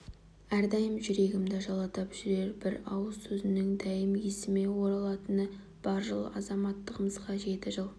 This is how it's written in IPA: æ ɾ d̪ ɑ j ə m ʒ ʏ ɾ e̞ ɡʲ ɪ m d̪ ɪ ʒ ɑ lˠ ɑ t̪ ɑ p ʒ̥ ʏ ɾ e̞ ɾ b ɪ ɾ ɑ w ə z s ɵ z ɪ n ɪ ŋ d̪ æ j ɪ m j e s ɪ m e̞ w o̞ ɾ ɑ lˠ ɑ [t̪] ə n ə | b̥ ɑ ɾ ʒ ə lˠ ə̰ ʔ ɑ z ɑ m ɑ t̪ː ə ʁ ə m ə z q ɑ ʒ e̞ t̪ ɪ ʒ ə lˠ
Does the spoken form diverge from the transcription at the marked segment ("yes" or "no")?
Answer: no